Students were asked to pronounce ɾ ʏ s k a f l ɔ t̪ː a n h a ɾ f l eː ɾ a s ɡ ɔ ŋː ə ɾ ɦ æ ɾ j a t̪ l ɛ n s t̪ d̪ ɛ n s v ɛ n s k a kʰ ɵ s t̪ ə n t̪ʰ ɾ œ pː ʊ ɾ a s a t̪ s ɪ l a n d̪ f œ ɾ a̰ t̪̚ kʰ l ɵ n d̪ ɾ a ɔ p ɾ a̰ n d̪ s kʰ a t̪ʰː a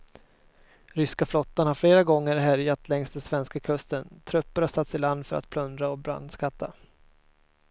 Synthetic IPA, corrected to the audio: ɾ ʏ s k a f l ɔ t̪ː a n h a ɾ f l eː ɾ a ɡ ɔ ŋː ə ɾ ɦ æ ɾ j a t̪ l ɛ ŋ s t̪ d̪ ɛ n s v ɛ n s k a kʰ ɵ s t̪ ə n t̪ʰ ɾ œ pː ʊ ɾ a s a t̪ s ɪ l a n d̪ f œ ɾ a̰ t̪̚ pʰ l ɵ n d̪ ɾ a ɔ b ɾ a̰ n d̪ s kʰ a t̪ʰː a

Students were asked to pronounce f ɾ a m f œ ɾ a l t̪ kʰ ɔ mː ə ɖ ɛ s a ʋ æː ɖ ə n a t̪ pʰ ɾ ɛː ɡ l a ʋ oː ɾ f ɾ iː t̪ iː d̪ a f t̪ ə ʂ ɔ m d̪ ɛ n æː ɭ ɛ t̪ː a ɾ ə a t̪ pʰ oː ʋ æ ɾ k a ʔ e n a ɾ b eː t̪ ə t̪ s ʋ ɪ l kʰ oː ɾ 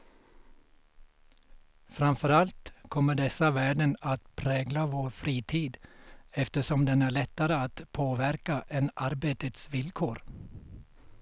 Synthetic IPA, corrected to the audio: f ɾ a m f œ ɾ a l t̪ kʰ ɔ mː ə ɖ ɛ s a ʋ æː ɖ ə n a t̪ pʰ ɾ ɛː ɡ l a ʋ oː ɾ f ɾ iː t̪ʰ iː d̪ ɛ f t̪ ə ʂ ɔ m d̪ ɛ n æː ɭ ɛ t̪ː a ɾ ə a t̪ pʰ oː ʋ æ ɾ k a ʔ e n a ɾ b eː t̪ ə t̪ s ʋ ɪ l kʰ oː ɾ

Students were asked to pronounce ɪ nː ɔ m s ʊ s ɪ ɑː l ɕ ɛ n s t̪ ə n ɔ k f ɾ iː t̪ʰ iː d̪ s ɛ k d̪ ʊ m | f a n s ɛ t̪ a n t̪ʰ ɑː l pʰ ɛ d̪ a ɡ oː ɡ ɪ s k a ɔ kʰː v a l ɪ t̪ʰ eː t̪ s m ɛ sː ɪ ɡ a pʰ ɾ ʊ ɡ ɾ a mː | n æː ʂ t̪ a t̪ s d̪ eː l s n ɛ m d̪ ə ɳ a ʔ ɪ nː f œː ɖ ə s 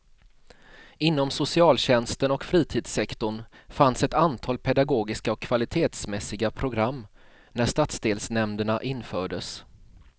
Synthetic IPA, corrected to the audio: ɪ nː ɔ m s ʊ s ɪ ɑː l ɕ ɛ n s t̪ ə n ɔ k f ɾ iː t̪ʰ iː d̪ s ɛ k t̪ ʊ ɳ | f a n s ɛ t̪ a n t̪ʰ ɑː l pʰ ɛ d̪ a ɡ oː ɡ ɪ s k a ɔ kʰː v a l ɪ t̪ʰ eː t̪ s m ɛ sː ɪ ɡ a pʰ ɾ ʊ ɡ ɾ a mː | n æ ʂ t̪ a t̪ s d̪ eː l s n ɛ m d̪ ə ɳ a ʔ ɪ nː f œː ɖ ə s

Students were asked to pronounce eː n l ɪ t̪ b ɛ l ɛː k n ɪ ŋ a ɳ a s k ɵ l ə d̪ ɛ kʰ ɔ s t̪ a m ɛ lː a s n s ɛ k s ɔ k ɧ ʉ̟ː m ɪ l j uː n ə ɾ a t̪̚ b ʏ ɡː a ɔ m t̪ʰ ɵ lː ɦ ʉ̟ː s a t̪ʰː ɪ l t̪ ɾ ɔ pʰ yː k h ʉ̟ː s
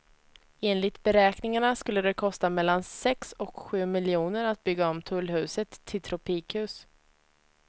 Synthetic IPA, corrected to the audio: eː n l ɪ t̪ b ɛ ɾ ɛː k n ɪ ŋ a ɳ a s k ɵ lː ə d̪ ɛ kʰ ɔ s t̪ a m ɛ lː a n s ɛ k s ɔ k ɧ ʉ̟ː m ɪ l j uː n ə ɾ a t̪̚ b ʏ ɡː a ɔ m t̪ʰ ɵ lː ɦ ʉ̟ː s ə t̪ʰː ɪ l t̪ʰ ɾ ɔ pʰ iː k h ʉ̟ː s

